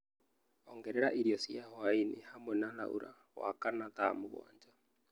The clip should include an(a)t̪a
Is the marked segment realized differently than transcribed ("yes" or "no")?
no